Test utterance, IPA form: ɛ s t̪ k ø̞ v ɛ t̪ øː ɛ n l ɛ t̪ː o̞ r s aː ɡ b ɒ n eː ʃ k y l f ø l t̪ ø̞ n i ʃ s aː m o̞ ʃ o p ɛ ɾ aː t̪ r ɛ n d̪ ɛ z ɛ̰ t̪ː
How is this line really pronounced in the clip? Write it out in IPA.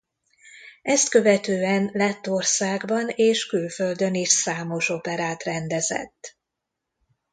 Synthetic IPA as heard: ɛ s t̪ k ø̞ v ɛ t̪ øː ɛ n l ɛ t̪ː o̞ r s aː ɡ b ɒ n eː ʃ k y l f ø l d̪ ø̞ n i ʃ s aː m o̞ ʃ o p ɛ ɾ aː t̪ r ɛ n d̪ ɛ z ɛ̰ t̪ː